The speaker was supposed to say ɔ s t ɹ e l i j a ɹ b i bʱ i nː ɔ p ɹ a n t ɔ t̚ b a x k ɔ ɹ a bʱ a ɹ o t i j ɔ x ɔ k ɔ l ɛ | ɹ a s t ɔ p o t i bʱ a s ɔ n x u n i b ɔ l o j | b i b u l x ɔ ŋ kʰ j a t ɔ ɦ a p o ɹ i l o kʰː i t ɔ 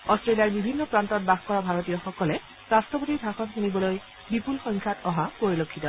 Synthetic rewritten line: ɔ s t ɹ e l i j a ɹ b i bʱ i nː ɔ p ɹ a n t ɔ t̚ b a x k ɔ ɹ a bʱ a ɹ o t i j ɔ x ɔ k ɔ l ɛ | ɹ a s t ɔ p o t i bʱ a x ɔ n x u n i b ɔ l o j | b i p u l x ɔ ŋ kʰ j a t ɔ ɦ a p o ɹ i l o kʰː i t ɔ